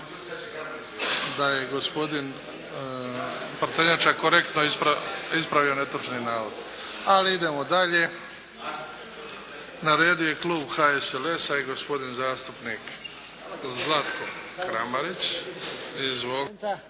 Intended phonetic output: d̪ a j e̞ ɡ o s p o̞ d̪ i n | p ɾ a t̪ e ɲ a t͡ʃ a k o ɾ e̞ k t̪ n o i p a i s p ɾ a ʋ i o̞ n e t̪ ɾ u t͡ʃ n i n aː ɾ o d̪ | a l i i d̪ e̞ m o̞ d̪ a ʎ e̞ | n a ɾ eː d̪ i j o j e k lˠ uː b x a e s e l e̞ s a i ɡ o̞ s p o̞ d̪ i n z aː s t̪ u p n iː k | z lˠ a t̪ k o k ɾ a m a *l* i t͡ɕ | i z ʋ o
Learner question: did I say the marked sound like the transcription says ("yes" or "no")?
no